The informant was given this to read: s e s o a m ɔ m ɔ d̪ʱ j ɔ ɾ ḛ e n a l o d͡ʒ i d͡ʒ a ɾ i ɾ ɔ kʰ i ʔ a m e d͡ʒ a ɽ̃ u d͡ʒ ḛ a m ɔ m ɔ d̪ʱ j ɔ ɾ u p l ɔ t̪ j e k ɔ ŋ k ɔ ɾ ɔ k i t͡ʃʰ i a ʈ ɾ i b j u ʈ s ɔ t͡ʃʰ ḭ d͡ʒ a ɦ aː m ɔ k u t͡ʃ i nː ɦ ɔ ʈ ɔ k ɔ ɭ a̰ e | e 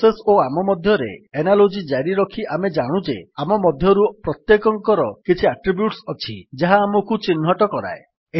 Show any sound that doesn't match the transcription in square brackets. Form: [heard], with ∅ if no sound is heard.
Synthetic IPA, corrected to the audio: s e s o a m ɔ m ɔ d̪ʱ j ɔ ɾ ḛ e n a l o d͡ʒ i d͡ʒ a ɾ i ɾ ɔ kʰ i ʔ a m e d͡ʒ a ɽ̃ u d͡ʒ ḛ a m ɔ m ɔ d̪ʱ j ɔ ɾ u p [ɾ] ɔ t̪ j e k ɔ ŋ k ɔ ɾ ɔ k i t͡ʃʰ i a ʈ ɾ i b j u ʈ s ɔ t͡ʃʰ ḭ d͡ʒ a ɦ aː m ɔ k u t͡ʃ i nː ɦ ɔ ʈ ɔ k ɔ [ɾ] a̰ e | e